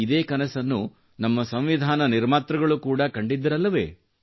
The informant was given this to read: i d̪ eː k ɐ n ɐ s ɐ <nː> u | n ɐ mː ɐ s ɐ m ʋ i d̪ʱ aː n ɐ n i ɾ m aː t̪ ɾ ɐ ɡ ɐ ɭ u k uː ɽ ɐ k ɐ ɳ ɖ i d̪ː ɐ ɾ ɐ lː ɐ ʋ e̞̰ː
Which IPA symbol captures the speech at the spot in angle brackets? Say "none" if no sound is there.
nː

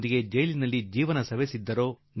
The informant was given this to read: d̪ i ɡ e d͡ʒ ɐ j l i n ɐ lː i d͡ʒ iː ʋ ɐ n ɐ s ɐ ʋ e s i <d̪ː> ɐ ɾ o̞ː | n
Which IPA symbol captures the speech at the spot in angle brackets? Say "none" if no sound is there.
d̪ː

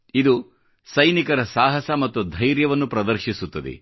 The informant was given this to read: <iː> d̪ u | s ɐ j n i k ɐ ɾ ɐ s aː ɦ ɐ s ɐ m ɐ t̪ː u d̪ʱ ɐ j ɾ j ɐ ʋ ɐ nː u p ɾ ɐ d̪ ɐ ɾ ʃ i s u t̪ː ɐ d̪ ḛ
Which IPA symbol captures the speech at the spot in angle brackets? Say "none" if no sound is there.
i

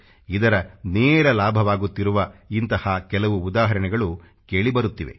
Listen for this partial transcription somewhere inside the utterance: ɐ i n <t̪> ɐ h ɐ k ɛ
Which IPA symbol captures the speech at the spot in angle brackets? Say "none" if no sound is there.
t̪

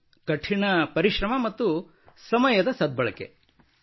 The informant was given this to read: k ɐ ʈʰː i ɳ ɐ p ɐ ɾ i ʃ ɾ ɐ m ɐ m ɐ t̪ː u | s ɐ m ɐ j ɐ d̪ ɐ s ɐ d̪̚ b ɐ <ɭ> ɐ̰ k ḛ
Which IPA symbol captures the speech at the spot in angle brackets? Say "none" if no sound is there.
ɭ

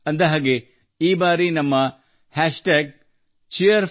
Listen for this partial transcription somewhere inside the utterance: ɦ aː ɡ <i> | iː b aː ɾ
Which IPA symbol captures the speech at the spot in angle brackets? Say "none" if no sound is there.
e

